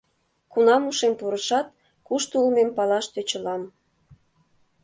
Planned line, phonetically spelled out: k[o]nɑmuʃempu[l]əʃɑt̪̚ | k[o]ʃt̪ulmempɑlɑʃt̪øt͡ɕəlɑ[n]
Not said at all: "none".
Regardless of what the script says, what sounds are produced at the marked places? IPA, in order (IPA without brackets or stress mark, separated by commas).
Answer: u, ɾ, u, m